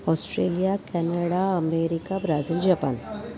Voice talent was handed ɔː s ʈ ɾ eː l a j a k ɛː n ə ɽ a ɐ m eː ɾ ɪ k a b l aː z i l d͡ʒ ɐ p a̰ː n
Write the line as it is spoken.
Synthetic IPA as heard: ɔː s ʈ ɾ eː l i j a k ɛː n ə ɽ a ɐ m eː ɾ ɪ k a b ɾ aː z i l d͡ʒ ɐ p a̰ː n